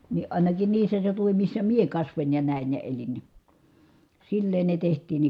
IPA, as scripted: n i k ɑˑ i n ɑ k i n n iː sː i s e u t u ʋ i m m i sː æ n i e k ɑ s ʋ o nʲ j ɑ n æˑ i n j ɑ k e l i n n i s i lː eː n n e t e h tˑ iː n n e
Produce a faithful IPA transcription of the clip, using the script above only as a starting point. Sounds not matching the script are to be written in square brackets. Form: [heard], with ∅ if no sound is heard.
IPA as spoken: n i [ʔ] ɑˑ i n ɑ k i n n iː sː [æ] s e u t u ʋ i m m i sː æ [m] i e k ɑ s ʋ o nʲ j ɑ n æˑ i n j ɑ [∅] e l i n n i s i lː eː n n e t e h tˑ iː n n e